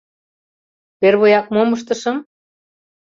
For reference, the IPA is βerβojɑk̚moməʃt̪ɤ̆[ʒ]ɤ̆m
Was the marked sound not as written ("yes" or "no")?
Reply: yes